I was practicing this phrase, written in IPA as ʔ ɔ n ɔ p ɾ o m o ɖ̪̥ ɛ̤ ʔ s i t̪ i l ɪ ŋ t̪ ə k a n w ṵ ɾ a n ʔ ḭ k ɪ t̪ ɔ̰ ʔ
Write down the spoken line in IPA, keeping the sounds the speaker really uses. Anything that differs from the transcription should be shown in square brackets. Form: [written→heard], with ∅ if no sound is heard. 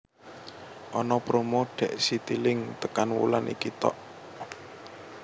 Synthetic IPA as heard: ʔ ɔ n ɔ p ɾ o m o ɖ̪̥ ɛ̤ ʔ s i t̪ i l ɪ ŋ t̪ ə k a n w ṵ [ɾ→l] a n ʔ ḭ k [ɪ→i] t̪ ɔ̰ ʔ